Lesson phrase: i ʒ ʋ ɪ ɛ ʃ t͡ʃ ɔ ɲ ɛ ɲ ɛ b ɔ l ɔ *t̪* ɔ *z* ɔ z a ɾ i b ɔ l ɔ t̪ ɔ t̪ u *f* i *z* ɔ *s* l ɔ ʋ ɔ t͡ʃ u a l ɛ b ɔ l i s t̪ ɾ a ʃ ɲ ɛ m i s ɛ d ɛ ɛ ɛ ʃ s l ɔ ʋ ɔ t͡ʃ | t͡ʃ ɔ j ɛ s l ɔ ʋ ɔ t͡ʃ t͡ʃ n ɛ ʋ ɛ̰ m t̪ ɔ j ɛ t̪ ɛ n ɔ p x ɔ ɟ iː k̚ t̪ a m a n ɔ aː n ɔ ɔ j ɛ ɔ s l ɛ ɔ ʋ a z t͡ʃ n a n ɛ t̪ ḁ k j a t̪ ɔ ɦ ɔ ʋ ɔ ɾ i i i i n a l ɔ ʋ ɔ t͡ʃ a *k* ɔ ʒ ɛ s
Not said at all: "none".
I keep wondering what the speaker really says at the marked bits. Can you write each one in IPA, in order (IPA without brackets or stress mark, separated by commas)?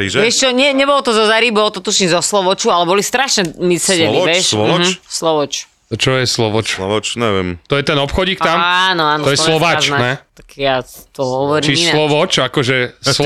t̪, z, ʃ, z, s, k